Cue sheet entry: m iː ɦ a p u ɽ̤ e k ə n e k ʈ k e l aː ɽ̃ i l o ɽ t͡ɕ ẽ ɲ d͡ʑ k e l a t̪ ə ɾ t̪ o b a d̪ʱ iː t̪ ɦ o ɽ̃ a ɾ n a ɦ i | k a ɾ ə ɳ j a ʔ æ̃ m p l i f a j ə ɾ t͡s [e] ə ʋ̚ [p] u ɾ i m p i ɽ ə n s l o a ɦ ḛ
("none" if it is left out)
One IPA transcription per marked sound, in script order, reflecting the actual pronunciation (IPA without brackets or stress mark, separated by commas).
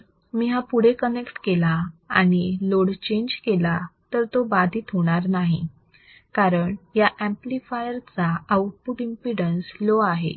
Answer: a, p